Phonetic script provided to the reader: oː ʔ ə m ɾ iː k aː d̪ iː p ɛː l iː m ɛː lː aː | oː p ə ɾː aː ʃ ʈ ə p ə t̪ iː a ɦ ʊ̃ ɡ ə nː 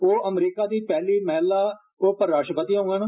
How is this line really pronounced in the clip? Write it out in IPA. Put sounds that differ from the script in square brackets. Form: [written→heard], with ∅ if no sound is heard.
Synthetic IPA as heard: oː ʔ ə m ɾ iː k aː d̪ iː p ɛː l iː m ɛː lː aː | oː p ə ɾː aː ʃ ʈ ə p ə t̪ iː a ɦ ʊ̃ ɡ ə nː